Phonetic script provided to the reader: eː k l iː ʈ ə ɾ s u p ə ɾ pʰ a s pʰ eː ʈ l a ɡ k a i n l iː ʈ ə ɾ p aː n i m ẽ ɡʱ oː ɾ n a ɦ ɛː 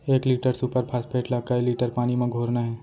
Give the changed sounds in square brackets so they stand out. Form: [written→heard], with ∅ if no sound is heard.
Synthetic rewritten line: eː k l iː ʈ ə ɾ s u p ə ɾ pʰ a s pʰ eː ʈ l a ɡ k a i [n→∅] l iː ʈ ə ɾ p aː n i m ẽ ɡʱ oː ɾ n a ɦ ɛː